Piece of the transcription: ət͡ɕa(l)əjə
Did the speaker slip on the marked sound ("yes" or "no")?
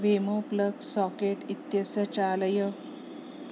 no